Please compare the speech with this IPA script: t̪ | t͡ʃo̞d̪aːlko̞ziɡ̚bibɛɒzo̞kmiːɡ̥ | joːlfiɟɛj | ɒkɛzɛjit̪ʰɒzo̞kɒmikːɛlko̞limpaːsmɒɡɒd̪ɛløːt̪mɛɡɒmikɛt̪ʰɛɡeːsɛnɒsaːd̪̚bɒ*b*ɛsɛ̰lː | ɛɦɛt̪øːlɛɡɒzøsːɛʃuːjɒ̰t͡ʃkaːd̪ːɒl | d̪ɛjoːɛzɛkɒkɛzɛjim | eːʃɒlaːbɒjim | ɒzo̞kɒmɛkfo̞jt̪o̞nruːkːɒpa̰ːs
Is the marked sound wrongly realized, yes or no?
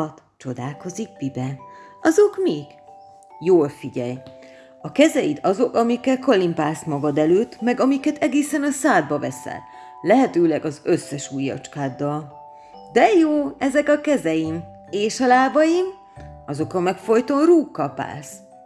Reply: yes